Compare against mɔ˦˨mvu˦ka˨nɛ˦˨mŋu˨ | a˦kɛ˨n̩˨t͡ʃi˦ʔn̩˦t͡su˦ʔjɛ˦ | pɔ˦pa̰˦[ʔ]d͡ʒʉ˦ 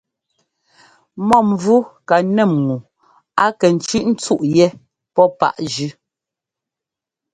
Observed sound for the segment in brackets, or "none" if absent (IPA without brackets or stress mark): ʔ